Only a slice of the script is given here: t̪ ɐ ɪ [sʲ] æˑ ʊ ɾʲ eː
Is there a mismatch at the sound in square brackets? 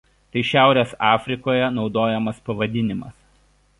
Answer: yes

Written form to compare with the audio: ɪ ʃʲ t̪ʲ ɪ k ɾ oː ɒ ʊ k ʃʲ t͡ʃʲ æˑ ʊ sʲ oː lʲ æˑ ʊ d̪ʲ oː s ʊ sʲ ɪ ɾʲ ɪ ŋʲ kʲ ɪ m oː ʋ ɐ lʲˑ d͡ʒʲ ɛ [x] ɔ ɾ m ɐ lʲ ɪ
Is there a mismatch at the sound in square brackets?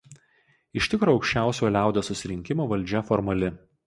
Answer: yes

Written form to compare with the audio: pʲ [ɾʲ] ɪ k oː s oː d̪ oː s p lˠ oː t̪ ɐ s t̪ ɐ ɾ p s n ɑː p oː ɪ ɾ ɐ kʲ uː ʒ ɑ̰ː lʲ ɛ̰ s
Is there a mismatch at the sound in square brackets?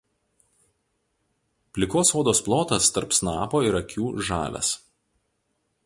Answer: yes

